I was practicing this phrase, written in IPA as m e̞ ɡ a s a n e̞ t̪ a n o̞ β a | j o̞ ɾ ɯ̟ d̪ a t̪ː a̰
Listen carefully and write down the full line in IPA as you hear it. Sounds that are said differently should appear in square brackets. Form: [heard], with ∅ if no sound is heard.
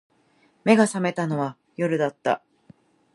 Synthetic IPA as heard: m e̞ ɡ a s a [m] e̞ t̪ a n o̞ β a | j o̞ ɾ ɯ̟ d̪ a t̪ː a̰